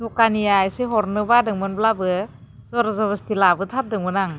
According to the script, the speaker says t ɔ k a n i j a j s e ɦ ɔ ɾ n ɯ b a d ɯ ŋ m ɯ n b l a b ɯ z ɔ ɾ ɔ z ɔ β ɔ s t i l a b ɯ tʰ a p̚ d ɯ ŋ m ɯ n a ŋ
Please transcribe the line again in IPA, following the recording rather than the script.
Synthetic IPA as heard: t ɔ k a n i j a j s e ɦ ɔ ɾ n ɯ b a d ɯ ŋ m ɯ n b l a b ɯ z ɔ ɾ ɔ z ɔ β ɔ s t i l a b ɯ tʰ a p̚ d ɯ ŋ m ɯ n a ŋ